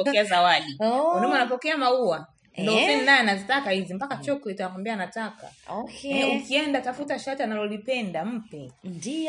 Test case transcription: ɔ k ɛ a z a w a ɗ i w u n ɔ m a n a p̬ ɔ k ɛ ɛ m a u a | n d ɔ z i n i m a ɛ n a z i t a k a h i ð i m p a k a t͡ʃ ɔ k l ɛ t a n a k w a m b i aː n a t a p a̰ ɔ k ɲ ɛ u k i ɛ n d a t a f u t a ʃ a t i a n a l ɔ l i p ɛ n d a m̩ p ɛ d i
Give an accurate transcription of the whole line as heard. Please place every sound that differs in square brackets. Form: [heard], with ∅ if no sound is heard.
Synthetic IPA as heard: ɔ k ɛ a z a w a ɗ i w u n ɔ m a n a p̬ ɔ k ɛ [a] m a u a | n d ɔ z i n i [n] a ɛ n a z i t a k a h i [z] i m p a k a t͡ʃ ɔ k l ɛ t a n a k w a m b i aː n a t a [k] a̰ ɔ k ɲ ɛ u k i ɛ n d a t a f u t a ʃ a t i a n a l ɔ l i p ɛ n d a m̩ p ɛ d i